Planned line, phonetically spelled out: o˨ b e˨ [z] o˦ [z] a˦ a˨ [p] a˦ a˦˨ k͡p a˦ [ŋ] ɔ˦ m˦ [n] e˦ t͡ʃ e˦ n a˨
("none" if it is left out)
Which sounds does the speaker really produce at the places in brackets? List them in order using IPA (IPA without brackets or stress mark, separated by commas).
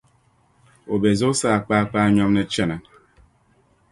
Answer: z, s, k͡p, ɲ, n